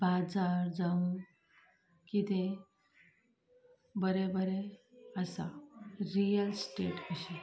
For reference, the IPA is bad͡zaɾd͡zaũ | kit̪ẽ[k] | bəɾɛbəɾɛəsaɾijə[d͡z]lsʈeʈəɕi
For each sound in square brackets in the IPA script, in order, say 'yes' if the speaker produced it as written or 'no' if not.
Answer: no, no

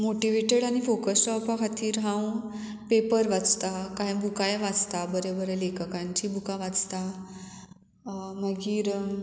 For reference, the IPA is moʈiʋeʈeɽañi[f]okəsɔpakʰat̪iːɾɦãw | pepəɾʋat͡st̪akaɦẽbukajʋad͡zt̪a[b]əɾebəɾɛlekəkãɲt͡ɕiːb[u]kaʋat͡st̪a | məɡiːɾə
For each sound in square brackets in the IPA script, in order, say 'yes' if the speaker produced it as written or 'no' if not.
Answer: yes, yes, yes

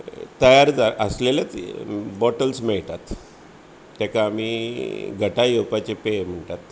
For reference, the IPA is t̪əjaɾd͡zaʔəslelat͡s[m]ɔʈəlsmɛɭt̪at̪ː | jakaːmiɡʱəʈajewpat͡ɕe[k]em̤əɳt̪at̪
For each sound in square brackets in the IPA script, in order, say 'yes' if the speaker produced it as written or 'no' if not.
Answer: no, no

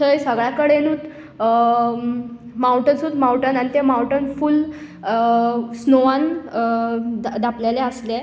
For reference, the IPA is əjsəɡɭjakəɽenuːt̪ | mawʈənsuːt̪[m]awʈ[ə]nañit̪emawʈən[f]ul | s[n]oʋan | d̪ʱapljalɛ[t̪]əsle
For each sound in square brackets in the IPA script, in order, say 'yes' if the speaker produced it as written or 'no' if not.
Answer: yes, yes, yes, yes, no

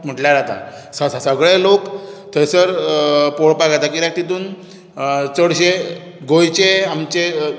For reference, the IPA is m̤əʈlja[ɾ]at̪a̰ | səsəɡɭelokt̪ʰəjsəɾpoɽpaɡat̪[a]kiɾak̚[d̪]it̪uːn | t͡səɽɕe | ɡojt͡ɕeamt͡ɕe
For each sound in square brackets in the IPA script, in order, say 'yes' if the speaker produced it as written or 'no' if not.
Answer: yes, yes, no

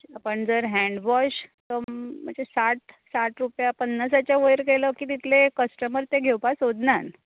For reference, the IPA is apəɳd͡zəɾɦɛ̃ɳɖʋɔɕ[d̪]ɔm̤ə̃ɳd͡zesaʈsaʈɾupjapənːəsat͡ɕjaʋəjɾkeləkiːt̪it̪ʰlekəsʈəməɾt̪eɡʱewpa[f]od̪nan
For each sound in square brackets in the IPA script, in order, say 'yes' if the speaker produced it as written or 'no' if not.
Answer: no, no

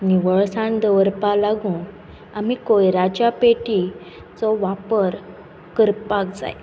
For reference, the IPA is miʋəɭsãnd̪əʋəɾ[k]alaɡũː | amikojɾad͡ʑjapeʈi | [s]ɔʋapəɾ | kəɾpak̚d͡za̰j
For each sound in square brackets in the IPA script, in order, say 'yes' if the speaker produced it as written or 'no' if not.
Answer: no, no

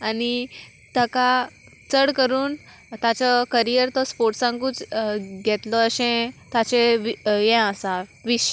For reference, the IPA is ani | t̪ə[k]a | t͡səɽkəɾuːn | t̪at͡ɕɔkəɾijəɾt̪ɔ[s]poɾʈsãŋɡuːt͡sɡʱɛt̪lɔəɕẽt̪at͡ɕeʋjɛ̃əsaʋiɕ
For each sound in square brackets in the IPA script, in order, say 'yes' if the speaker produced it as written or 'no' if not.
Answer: yes, yes

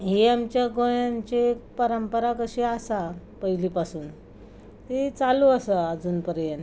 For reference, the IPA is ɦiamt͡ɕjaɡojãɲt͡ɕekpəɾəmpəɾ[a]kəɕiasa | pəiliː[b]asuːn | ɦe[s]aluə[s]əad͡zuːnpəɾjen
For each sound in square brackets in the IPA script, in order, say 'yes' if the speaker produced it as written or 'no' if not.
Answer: yes, no, no, yes

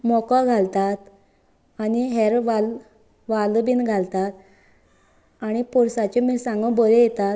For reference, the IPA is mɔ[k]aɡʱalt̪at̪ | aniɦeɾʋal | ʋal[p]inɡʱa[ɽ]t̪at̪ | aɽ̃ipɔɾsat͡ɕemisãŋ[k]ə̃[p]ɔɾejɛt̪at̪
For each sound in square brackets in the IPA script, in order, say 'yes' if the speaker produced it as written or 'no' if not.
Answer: yes, no, no, no, no

